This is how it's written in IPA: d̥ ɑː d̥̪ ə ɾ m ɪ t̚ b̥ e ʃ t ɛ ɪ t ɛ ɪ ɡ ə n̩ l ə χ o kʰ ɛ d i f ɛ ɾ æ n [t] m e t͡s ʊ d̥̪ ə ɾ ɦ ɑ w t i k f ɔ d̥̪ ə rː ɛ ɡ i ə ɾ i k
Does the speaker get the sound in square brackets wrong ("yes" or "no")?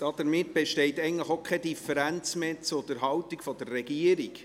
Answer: yes